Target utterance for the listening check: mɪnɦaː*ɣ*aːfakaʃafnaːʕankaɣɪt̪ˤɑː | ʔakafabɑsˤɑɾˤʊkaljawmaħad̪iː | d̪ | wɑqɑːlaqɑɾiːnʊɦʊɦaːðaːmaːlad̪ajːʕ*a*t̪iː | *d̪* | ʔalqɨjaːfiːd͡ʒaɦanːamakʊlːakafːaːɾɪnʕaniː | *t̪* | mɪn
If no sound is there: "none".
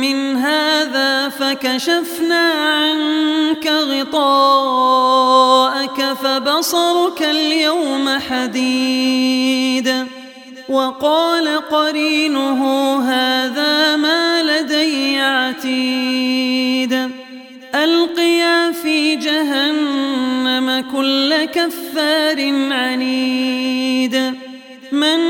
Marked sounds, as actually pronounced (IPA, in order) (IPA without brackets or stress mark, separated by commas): ð, a, d̪, d̪